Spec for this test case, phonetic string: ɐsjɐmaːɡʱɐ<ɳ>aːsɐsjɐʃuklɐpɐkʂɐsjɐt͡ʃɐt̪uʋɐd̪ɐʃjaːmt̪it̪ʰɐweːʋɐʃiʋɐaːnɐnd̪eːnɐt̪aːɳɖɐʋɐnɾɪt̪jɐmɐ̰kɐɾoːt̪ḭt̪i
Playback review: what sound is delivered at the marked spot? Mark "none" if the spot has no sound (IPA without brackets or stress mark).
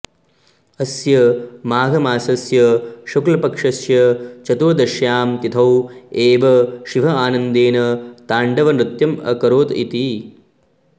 m